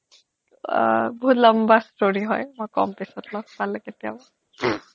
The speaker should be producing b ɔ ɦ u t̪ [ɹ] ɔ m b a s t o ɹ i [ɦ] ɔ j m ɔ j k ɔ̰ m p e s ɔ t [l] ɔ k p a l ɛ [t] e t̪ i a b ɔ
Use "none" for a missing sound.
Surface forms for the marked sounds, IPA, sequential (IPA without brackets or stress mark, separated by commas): l, ɦ, l, k